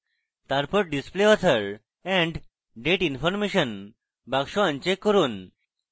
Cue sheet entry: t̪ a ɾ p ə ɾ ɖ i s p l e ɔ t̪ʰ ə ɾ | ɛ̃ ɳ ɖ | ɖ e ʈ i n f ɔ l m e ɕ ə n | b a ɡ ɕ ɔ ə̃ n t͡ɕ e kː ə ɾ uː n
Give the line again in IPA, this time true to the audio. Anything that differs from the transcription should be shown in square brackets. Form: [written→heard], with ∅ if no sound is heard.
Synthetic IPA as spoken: t̪ a ɾ p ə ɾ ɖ i s p l e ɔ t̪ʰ ə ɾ | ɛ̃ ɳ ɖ | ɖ e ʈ i n f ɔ [l→ɾ] m e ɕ ə n | b a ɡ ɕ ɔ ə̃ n t͡ɕ e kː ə ɾ uː n